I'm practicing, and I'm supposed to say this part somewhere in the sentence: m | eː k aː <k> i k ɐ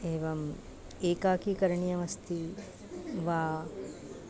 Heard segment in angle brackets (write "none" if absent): k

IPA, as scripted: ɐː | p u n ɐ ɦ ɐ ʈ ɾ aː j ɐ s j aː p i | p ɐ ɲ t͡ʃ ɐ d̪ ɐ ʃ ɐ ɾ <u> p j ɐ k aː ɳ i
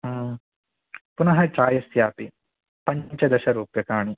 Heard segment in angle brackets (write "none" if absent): uː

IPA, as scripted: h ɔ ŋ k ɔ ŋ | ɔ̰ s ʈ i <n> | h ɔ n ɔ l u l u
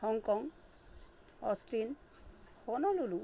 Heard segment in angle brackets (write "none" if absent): n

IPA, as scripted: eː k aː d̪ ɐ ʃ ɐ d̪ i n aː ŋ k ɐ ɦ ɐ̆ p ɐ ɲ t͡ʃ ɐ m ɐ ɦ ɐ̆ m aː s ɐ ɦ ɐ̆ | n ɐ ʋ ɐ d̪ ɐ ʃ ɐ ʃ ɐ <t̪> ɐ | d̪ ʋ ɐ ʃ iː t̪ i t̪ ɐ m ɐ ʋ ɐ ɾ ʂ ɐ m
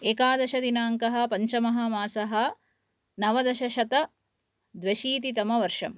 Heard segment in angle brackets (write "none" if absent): t̪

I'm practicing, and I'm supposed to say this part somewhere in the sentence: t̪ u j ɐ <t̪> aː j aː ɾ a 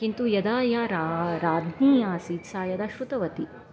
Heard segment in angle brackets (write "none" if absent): d̪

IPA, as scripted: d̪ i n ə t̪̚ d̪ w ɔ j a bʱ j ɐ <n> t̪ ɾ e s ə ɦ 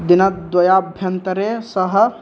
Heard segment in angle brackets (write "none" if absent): n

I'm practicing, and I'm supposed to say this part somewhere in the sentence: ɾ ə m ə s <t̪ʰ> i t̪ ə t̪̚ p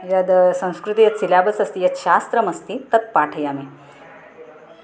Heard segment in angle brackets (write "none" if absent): t̪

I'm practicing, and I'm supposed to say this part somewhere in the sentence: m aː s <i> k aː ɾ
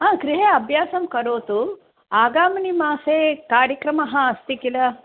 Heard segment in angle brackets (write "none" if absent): e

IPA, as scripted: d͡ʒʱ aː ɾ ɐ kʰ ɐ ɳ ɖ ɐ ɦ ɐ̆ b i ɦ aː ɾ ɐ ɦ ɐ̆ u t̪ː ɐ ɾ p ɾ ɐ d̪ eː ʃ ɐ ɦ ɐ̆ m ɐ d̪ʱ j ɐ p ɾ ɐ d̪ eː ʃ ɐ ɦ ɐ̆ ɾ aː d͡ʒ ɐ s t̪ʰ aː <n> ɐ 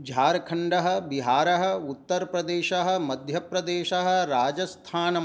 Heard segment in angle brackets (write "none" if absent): n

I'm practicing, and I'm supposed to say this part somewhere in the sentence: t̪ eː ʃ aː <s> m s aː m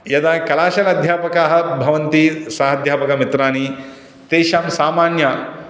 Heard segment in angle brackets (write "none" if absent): none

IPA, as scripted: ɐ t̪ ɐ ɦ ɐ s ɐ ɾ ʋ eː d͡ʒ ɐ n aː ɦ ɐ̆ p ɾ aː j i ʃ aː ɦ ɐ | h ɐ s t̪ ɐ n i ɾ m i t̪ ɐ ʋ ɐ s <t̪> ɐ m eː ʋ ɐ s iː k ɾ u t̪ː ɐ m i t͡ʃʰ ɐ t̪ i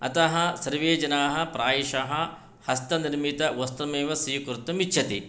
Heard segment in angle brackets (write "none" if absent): t̪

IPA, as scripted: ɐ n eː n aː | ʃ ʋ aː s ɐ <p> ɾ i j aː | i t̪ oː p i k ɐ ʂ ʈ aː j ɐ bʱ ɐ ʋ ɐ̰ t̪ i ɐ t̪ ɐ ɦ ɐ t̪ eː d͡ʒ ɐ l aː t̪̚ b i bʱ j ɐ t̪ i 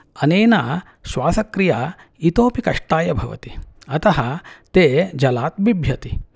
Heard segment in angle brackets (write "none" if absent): k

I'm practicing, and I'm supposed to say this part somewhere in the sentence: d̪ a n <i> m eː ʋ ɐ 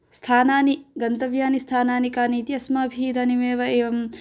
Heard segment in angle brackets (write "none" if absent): i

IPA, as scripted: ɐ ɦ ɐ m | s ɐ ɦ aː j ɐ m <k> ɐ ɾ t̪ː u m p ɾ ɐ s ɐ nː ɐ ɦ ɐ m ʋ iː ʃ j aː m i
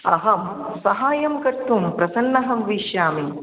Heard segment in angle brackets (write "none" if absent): k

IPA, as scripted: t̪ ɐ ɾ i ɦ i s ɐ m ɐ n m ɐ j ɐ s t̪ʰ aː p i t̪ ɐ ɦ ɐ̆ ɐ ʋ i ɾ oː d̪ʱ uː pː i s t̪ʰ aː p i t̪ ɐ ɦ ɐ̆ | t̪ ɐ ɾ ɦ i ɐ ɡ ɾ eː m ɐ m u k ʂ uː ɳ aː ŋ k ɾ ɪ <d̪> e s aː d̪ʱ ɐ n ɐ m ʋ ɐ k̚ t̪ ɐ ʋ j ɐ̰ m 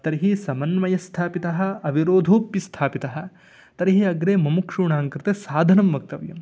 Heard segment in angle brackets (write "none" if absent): t̪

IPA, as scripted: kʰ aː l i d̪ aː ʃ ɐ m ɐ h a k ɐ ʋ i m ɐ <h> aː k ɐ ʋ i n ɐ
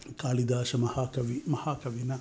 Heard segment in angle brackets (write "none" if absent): h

